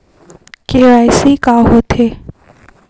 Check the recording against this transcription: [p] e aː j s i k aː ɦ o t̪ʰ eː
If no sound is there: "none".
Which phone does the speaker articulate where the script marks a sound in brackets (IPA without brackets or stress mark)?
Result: k